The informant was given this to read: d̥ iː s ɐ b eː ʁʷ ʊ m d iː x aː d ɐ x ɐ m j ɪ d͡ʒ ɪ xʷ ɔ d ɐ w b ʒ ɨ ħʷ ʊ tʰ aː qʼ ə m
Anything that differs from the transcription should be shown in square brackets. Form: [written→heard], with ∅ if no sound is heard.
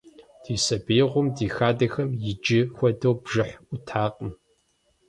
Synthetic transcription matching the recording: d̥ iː s ɐ b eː ʁʷ ʊ m d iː x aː d ɐ x ɐ m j ɪ d͡ʒ ɪ xʷ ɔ d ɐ w b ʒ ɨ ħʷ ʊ tʰ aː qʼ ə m